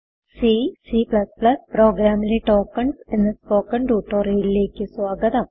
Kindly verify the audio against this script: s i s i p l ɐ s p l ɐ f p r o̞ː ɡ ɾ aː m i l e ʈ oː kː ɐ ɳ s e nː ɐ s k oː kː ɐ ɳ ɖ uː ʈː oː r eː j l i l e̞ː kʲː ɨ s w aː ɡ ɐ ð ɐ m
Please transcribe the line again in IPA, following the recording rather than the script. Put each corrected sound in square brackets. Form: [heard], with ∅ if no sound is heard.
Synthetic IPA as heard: s i s i p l ɐ s p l ɐ [s] p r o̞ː ɡ ɾ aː m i l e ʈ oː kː ɐ ɳ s e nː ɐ s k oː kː ɐ ɳ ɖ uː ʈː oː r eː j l i l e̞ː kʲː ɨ s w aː ɡ ɐ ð ɐ m